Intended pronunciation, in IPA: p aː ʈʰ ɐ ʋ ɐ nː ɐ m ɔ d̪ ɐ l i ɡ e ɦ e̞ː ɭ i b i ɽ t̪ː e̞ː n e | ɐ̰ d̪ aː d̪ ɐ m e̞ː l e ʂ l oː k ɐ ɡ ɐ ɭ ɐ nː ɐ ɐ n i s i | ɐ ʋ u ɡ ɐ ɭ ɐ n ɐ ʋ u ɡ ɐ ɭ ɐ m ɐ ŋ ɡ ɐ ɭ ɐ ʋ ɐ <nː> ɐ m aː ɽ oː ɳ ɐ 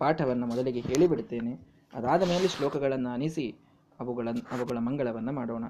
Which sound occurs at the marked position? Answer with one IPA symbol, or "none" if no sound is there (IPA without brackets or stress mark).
nː